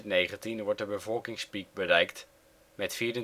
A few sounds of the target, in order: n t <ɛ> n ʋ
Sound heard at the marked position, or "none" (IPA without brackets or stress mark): i